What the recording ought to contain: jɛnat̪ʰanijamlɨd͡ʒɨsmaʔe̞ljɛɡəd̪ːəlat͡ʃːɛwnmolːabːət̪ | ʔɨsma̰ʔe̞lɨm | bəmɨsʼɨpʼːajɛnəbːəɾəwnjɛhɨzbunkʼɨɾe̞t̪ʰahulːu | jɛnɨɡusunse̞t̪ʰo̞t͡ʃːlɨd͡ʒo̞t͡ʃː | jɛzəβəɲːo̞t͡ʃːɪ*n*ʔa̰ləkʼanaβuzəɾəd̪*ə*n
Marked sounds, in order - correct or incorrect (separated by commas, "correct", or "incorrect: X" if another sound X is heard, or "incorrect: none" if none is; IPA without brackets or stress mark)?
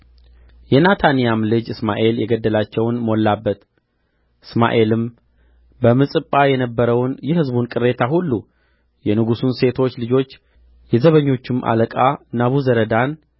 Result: incorrect: m, incorrect: a